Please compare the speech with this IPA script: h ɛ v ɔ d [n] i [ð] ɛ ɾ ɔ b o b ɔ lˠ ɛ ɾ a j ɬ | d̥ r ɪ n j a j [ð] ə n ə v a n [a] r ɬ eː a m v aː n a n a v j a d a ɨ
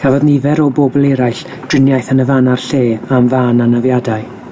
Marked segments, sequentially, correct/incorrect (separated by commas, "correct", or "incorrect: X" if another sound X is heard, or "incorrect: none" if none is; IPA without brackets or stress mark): correct, incorrect: v, incorrect: θ, correct